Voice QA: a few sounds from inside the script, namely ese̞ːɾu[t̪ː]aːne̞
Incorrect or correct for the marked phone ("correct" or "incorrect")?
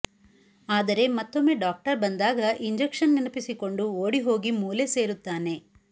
correct